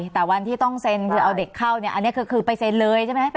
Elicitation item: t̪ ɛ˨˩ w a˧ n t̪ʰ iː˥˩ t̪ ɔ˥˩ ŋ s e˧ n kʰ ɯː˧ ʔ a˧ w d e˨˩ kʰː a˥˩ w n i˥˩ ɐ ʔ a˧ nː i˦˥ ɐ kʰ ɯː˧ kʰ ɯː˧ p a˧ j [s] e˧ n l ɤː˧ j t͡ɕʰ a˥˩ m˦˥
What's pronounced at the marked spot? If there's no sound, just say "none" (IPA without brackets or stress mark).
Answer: s